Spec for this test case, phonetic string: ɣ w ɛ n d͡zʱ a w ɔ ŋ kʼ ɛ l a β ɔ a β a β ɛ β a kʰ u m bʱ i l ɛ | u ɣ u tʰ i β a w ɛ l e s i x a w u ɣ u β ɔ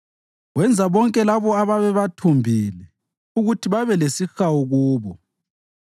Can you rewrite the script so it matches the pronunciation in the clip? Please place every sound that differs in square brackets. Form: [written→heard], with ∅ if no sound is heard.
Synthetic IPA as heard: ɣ w ɛ n d͡zʱ a [w→β] ɔ ŋ kʼ ɛ l a β ɔ a β a β ɛ β a [kʰ→tʰ] u m bʱ i l ɛ | u ɣ u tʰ i β a [w→β] ɛ l e s i x a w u ɣ [u→uː] β ɔ